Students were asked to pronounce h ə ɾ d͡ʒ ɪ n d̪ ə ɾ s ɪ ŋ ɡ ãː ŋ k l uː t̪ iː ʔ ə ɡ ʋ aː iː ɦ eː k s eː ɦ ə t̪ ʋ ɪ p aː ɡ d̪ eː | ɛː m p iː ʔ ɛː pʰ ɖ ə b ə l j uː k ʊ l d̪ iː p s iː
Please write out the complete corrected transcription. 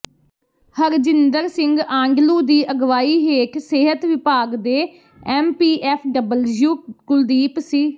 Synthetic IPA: h ə ɾ d͡ʒ ɪ n d̪ ə ɾ s ɪ ŋ ɡ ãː ŋ ɡ l uː d̪ iː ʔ ə ɡ ʋ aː iː ɦ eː k s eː ɦ ə t̪ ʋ ɪ p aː ɡ d̪ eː | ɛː m p iː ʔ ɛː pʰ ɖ ə b ə l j uː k ʊ l d̪ iː p s iː